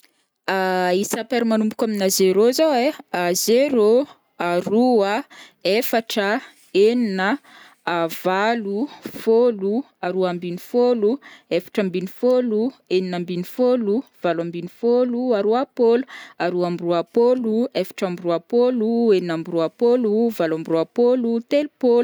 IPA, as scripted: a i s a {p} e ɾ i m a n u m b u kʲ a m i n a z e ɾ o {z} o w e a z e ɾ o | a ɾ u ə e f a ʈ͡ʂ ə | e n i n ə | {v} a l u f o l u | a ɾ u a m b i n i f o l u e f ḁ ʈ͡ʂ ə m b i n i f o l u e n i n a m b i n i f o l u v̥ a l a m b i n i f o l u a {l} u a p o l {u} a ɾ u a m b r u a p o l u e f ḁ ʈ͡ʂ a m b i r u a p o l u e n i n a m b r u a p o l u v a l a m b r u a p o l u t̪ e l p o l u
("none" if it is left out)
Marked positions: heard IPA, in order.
p, z, v, ɾ, u

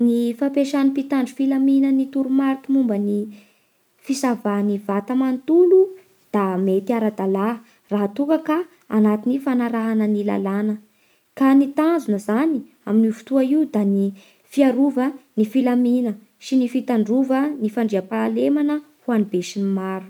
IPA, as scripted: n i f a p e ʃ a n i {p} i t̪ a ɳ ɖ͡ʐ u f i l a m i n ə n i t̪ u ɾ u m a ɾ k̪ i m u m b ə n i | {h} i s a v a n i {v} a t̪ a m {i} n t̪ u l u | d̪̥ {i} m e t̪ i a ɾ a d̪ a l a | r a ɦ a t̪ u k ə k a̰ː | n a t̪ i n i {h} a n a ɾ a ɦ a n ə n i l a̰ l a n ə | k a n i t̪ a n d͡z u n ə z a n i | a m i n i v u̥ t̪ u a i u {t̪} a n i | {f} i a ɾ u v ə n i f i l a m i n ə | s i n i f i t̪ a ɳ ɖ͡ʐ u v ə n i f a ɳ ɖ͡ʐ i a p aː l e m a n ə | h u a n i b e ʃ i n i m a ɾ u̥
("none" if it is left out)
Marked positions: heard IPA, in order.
p, f, v, a, a, f, d̪, f

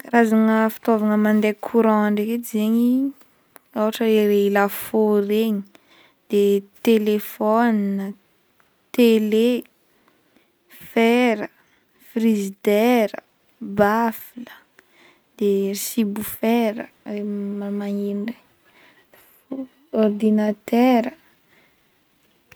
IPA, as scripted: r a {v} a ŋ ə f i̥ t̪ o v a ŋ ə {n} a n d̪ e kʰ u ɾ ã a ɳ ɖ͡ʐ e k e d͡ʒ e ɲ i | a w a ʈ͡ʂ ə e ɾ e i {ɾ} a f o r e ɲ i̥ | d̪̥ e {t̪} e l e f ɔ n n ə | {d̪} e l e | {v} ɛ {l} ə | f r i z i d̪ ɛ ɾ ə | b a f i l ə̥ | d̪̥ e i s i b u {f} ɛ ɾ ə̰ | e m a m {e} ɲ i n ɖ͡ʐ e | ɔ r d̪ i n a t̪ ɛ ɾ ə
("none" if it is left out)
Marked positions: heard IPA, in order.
z, m, l, t̪, t̪, f, ɾ, f, a

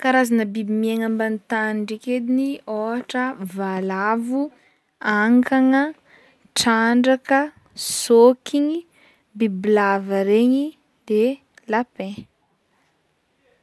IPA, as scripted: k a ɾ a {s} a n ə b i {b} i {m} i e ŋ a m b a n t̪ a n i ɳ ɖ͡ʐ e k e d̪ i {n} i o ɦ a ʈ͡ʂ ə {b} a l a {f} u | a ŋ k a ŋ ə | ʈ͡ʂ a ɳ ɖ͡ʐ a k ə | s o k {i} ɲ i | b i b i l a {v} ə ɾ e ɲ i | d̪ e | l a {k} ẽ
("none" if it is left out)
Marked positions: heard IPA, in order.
z, b, m, n, v, v, i, v, p

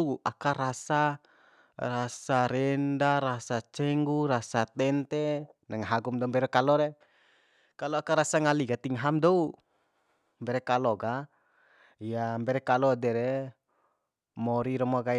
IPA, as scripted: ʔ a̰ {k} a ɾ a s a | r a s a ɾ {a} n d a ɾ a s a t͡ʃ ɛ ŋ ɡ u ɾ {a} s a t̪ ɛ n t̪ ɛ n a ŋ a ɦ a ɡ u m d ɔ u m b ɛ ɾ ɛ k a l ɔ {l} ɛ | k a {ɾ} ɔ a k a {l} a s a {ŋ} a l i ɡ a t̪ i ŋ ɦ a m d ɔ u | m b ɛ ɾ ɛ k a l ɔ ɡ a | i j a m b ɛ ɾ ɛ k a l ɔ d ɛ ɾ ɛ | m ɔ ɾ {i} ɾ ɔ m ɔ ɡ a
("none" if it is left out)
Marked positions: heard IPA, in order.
k, ɛ, a, ɾ, l, ɾ, ŋ, i

